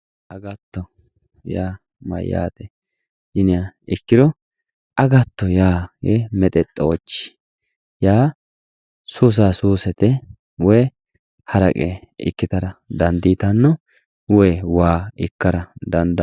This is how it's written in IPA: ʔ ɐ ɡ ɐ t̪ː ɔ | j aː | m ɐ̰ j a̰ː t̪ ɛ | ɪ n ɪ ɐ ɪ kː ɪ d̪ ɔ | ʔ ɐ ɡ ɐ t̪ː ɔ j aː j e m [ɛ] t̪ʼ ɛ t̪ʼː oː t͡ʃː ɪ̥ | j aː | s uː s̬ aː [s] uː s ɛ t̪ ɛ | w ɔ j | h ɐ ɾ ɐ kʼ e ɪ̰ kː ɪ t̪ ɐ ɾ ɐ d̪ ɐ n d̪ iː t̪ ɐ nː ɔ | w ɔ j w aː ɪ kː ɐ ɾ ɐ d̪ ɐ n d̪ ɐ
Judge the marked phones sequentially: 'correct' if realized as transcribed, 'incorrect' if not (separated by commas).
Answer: correct, correct